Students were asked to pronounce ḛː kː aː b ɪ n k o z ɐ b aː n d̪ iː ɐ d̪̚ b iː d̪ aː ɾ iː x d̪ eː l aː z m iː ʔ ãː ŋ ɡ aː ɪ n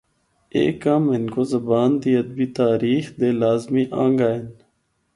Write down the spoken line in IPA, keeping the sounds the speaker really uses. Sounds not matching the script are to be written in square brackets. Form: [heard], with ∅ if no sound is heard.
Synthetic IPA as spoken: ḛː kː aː [m] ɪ n k o z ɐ b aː n d̪ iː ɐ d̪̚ b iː [t̪] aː ɾ iː x d̪ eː l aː z m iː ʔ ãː ŋ ɡ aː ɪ n